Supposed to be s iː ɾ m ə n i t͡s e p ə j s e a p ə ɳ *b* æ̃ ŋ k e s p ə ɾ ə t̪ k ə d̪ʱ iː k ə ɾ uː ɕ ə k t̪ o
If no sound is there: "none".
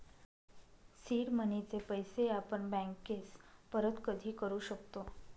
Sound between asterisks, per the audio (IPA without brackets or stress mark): b